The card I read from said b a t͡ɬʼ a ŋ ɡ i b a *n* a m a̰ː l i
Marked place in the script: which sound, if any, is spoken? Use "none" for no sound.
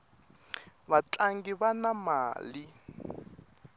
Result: n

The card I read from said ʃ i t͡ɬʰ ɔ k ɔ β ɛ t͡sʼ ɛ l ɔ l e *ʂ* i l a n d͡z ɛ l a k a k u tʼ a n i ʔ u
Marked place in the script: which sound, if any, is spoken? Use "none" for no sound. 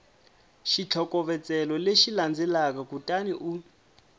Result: ʃ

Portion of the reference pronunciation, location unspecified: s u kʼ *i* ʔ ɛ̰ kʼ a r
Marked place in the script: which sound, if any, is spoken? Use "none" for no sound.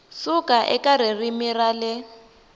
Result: a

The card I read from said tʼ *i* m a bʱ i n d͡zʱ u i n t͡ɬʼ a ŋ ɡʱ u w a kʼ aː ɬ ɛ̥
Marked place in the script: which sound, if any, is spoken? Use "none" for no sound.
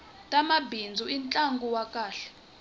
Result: a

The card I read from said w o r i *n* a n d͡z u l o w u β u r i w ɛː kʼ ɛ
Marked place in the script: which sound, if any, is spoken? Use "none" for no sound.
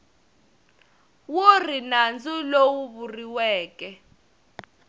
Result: n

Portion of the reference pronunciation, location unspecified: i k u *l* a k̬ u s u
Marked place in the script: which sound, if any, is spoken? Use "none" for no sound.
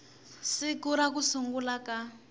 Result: ɾ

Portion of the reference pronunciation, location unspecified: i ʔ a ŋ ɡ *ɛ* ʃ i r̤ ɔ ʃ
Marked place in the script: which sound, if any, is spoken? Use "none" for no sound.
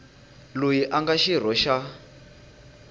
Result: a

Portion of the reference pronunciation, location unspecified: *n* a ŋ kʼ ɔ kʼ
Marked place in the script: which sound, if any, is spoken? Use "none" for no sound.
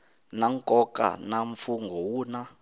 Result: n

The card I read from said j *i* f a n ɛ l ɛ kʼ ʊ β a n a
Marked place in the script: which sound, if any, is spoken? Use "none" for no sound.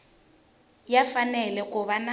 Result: a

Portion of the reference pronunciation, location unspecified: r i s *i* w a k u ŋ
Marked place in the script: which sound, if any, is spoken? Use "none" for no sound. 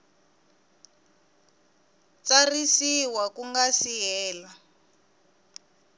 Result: i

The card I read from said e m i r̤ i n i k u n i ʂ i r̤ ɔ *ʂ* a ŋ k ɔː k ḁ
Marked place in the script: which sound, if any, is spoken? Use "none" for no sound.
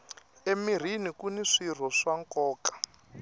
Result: ʂ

